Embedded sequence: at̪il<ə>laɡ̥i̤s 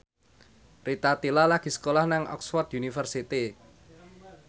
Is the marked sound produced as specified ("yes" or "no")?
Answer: no